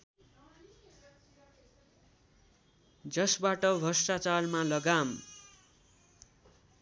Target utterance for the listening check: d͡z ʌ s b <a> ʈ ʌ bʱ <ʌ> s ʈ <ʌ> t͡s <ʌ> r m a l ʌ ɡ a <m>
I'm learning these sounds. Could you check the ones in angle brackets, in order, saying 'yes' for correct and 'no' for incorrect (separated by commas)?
yes, yes, no, no, yes